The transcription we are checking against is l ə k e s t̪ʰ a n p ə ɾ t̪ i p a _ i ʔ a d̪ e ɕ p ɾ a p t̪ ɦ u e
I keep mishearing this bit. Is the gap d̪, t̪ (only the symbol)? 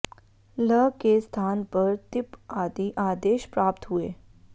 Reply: d̪